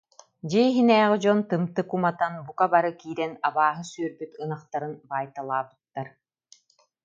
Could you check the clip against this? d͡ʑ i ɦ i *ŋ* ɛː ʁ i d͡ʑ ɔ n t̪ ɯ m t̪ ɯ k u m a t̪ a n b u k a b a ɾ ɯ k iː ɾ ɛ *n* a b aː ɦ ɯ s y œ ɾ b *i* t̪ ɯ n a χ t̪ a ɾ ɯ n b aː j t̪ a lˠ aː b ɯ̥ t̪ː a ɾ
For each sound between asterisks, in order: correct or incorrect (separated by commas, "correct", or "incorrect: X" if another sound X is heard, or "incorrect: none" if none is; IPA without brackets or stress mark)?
incorrect: n, correct, incorrect: y